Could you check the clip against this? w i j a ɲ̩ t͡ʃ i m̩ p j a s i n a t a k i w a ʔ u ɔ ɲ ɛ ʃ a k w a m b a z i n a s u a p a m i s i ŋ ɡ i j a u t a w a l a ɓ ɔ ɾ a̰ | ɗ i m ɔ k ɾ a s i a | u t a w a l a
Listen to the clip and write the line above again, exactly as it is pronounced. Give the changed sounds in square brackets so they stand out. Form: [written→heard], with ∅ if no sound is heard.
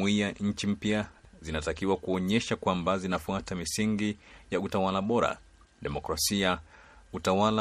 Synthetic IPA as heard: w i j a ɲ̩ t͡ʃ i m̩ p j a [s→z] i n a t a k i w a [ʔ→k] u ɔ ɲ ɛ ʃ a k w a m b a z i n a [s→f] u a [p→t] a m i s i ŋ ɡ i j a u t a w a l a ɓ ɔ ɾ a̰ | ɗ [i→ɛ] m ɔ k ɾ a s i a | u t a w a l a